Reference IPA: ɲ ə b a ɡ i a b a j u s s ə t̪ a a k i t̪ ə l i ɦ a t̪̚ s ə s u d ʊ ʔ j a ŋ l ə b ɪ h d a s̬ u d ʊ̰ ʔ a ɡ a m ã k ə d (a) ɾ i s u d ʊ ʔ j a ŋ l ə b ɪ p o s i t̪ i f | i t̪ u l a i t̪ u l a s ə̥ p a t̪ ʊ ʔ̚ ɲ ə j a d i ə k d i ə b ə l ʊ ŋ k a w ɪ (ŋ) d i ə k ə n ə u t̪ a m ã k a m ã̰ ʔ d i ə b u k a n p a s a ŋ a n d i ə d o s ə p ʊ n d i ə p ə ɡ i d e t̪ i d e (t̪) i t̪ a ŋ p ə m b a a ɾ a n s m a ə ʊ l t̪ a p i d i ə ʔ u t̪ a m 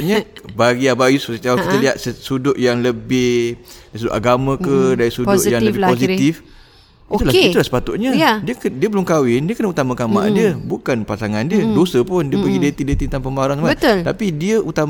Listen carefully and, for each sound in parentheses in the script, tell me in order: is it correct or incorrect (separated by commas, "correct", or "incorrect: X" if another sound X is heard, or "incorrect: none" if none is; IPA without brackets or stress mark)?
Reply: correct, incorrect: n, correct